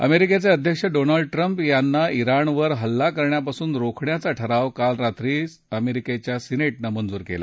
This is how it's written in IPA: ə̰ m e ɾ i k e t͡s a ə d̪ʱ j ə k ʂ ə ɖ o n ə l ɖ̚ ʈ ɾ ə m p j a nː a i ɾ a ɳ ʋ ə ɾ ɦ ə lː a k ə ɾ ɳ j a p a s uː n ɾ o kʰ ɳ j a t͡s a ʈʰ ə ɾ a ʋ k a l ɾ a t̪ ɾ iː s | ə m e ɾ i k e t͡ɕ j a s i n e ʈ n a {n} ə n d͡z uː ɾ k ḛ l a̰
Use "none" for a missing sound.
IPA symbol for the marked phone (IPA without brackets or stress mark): m